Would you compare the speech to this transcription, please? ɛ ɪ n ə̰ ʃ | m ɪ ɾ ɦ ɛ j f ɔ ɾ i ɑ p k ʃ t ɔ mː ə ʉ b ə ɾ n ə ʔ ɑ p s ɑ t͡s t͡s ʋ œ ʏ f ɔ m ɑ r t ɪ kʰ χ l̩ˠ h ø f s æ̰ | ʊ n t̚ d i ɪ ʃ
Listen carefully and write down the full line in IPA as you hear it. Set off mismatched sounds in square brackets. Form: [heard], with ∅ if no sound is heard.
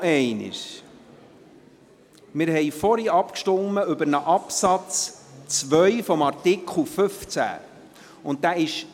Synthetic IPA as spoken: ɛ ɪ n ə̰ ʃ | m ɪ ɾ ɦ ɛ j f ɔ ɾ i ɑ p k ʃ t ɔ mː ə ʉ b ə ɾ n ə ʔ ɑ p s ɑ t͡s t͡s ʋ œ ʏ f ɔ m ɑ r t ɪ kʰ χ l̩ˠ [f] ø f [t͡s] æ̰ | ʊ n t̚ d [æ] ɪ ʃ